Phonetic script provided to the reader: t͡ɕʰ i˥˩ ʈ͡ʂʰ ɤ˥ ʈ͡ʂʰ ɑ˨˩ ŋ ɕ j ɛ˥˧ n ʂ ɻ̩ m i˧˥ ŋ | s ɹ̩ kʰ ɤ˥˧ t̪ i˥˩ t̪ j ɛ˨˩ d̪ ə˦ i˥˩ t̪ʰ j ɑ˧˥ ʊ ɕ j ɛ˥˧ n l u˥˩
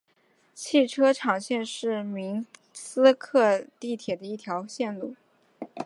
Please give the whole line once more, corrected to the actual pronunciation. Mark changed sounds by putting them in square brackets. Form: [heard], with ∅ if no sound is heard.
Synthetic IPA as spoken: t͡ɕʰ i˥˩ ʈ͡ʂʰ ɤ˥ ʈ͡ʂʰ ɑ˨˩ ŋ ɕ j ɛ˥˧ n ʂ ɻ̩ m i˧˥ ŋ | s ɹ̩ kʰ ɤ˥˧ t̪ i˥˩ [t̪ʰ] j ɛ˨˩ d̪ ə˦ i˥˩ t̪ʰ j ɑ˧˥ ʊ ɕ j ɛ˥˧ n l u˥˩